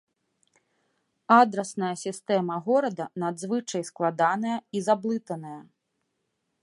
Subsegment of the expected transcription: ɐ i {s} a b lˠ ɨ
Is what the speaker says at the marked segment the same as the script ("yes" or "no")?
no